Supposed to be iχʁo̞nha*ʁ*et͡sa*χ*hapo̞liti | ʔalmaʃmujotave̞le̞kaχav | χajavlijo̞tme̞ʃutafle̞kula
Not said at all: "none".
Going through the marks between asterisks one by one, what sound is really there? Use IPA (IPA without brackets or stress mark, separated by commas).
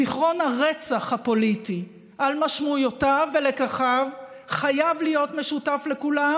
ʁ, χ